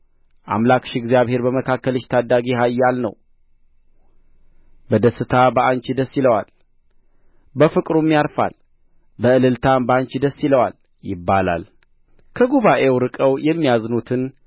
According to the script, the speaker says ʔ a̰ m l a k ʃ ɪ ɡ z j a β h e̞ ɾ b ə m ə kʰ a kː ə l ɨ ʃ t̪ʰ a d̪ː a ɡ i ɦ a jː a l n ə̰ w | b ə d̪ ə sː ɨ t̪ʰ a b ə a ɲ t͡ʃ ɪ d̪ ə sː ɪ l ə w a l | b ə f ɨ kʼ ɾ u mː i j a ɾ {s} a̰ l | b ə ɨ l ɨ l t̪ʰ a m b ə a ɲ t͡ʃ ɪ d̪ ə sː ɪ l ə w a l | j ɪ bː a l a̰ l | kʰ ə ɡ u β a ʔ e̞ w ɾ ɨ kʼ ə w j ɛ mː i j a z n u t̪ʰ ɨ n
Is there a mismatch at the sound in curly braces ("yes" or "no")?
yes